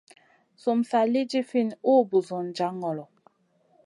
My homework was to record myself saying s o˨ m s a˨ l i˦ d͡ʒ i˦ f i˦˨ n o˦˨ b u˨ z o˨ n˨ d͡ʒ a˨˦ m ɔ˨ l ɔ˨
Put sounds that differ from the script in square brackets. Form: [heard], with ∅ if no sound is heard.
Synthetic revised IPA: s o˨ m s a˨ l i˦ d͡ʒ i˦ f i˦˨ n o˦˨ b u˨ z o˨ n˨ d͡ʒ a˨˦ [ŋ] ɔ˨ l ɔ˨